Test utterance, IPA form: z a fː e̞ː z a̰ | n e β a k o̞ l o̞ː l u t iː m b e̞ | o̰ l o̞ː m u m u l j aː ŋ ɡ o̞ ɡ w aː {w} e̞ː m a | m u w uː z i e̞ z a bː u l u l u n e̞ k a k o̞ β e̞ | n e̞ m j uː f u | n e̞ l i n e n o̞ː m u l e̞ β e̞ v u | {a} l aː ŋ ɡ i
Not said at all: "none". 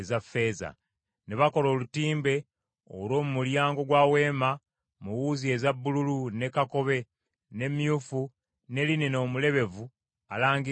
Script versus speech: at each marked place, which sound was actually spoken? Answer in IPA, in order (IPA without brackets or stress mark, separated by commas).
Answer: w, a